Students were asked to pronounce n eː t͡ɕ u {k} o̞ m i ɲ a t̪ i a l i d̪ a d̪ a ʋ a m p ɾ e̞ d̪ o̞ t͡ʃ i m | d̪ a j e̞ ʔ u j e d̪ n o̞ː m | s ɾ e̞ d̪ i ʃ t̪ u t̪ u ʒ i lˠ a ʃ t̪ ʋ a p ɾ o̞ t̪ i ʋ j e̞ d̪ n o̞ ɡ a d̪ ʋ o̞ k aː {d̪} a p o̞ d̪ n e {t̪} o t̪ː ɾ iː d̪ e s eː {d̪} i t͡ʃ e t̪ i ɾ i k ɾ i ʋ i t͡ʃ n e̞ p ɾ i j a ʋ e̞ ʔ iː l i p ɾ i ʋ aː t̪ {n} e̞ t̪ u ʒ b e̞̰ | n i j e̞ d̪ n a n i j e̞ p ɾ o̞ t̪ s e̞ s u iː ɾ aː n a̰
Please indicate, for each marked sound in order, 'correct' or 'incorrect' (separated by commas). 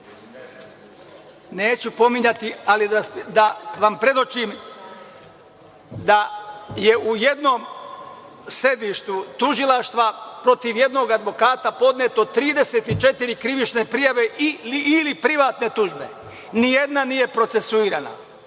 incorrect, incorrect, correct, incorrect, correct